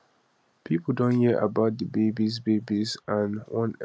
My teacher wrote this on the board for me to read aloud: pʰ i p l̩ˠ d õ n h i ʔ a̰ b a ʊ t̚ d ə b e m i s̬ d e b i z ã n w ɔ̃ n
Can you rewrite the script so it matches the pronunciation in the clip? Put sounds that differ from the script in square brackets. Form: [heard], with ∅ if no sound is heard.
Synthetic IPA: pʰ i p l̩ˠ d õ n h i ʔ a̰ b a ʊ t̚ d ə b e [b] i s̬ [b] e b i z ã n w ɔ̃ n